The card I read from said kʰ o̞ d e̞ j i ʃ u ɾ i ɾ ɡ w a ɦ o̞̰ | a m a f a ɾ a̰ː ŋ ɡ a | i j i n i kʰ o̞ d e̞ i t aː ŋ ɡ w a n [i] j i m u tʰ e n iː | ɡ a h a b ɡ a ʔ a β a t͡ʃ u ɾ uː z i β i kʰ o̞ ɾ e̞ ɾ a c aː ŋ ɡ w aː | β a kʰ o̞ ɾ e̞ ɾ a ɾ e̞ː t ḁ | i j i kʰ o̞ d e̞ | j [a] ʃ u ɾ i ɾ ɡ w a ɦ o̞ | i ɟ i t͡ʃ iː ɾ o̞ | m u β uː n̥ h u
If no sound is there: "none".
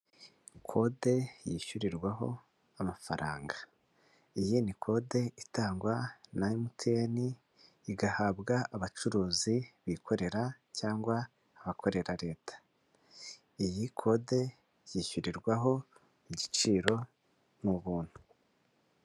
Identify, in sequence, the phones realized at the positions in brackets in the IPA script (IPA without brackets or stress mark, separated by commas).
a, i